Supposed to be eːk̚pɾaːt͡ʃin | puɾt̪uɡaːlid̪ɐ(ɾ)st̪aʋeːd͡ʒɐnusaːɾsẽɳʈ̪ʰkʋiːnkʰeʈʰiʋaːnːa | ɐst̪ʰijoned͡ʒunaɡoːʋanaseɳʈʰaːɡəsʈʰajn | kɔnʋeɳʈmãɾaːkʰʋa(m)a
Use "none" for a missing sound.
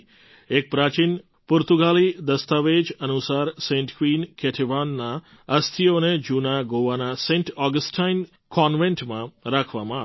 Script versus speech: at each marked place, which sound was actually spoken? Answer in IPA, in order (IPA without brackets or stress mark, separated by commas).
none, m